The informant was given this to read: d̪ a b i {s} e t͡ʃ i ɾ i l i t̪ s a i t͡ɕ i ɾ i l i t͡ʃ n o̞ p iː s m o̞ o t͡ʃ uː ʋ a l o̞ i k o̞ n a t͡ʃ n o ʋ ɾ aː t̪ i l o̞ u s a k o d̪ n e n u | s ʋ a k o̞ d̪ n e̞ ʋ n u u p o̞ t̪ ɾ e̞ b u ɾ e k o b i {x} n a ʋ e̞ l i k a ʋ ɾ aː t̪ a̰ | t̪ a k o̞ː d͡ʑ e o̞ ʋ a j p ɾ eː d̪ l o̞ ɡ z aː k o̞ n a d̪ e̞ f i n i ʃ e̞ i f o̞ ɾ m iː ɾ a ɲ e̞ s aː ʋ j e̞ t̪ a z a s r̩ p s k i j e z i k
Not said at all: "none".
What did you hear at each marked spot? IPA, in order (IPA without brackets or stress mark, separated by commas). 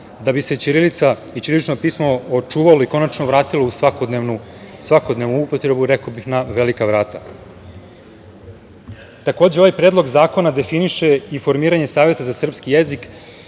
s, x